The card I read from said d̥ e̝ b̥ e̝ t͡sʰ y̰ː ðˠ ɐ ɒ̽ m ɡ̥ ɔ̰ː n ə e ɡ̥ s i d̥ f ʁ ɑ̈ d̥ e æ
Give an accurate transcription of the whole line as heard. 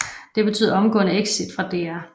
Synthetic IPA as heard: d̥ e̝ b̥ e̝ t͡sʰ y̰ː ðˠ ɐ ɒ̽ m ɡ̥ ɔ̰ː n ə e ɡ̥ s i d̥ f ʁ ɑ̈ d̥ e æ

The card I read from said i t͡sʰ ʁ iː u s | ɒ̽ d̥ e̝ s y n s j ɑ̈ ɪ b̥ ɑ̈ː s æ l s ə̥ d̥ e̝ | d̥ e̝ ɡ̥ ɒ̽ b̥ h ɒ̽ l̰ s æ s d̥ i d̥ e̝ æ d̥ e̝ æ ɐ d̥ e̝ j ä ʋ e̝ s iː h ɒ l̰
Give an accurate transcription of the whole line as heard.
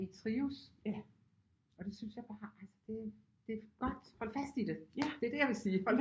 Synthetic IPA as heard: i t͡sʰ ʁ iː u s | ɒ̽ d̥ e̝ s y n s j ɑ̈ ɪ b̥ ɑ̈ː æ l s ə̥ d̥ e̝ | d̥ e̝ ɡ̥ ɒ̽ d̥ h ɒ̽ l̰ f æ s d̥ i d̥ e̝ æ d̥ e̝ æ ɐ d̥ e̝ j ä ʋ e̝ s iː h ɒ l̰

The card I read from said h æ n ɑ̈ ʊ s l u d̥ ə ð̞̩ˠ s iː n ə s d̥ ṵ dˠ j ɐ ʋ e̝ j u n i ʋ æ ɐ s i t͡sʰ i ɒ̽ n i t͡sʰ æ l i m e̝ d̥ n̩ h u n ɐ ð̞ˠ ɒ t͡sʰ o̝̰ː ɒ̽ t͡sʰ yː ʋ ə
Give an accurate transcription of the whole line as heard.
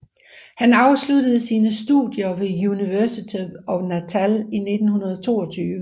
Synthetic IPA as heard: h æ n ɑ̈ ʊ s l u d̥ ə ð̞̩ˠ s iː n ə s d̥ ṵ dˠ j ɐ ʋ e̝ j u n i ʋ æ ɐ s i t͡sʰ i ɒ̽ n æ t͡sʰ æ l i n e̝ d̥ n̩ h u n ɐ ð̞ˠ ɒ t͡sʰ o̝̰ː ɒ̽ t͡sʰ yː ʋ ə

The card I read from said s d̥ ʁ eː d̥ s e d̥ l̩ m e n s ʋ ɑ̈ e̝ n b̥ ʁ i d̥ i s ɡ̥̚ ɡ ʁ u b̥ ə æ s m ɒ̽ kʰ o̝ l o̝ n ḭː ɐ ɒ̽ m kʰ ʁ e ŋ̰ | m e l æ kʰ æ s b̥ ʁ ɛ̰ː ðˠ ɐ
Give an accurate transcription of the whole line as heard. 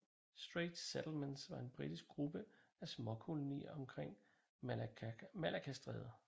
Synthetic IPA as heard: s d̥ ʁ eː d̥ s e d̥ l̩ m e n s ʋ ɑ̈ e̝ n b̥ ʁ i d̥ i s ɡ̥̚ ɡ ʁ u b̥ ə æ s m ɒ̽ kʰ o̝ l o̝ n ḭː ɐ ɒ̽ m kʰ ʁ e ŋ̰ | m æ l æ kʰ æ s d̥ ʁ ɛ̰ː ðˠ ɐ

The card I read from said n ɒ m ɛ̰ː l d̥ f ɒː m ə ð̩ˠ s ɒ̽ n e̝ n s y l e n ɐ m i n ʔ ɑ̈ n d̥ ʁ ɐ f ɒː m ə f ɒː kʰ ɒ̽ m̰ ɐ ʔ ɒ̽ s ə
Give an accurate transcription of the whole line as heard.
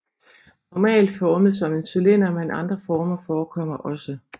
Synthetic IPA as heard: n ɒ m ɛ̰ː l d̥ f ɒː m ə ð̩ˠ s ɒ̽ m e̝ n s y l e n ɐ m e n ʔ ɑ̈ n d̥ ʁ ɐ f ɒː m ɐ f ɒː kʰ ɒ̽ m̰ ɐ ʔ ɒ̽ s ə

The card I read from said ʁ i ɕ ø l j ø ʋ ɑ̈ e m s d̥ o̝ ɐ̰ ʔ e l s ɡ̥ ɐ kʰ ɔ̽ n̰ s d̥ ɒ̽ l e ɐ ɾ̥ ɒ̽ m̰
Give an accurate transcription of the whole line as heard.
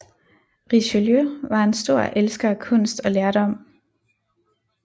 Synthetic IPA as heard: ʁ i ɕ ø l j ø ʋ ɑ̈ e n s d̥ o̝ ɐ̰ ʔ e l s ɡ̥ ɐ kʰ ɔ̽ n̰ s d̥ ɒ̽ l e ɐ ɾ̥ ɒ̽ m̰

